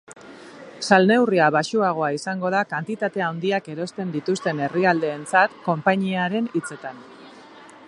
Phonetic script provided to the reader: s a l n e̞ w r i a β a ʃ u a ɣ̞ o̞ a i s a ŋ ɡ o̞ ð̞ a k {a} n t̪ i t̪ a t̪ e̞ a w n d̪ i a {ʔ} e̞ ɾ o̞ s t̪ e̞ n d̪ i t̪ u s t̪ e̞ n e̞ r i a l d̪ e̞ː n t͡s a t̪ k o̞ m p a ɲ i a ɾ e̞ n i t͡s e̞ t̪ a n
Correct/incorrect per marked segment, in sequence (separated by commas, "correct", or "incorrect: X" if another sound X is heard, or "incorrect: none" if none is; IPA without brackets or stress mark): correct, incorrect: k